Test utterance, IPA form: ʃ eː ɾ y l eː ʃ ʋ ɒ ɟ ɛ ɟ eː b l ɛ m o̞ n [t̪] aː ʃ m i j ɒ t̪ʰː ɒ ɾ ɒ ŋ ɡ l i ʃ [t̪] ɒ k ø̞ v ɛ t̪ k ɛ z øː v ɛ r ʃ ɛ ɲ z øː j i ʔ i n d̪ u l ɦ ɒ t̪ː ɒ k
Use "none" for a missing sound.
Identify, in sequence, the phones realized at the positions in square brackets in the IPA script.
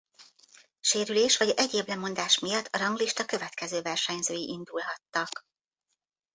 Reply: d̪, t̪

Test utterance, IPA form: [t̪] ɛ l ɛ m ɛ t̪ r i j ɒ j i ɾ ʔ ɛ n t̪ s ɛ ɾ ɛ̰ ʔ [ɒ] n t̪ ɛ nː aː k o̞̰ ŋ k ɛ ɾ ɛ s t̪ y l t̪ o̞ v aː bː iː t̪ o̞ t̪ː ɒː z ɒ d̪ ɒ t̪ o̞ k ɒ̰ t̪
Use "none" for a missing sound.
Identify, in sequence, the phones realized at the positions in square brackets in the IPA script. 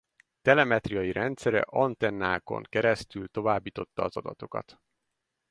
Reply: t̪, ɒ

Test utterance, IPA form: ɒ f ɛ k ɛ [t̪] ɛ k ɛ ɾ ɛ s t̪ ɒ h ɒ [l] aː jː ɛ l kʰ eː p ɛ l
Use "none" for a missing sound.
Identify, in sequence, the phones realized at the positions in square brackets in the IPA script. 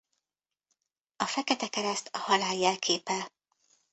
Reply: t̪, l

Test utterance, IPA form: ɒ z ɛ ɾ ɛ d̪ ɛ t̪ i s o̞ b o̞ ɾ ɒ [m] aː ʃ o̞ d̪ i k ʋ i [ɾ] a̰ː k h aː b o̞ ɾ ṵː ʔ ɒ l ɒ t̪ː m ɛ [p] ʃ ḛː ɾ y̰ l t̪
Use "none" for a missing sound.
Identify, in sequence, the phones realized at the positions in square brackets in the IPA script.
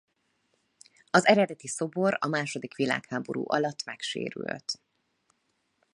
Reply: m, l, k

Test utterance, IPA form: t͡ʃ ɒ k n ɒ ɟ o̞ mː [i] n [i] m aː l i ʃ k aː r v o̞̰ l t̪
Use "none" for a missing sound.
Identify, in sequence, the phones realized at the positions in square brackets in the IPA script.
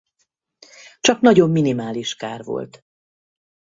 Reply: i, i

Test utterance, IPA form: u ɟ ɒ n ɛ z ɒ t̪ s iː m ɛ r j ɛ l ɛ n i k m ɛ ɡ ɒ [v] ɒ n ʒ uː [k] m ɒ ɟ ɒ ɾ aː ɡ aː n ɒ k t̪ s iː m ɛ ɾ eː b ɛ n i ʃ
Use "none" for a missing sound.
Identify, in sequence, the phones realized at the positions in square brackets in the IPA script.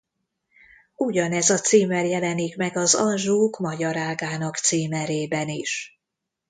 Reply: z, k

